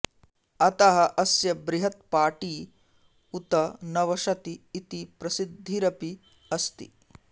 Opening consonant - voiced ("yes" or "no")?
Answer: no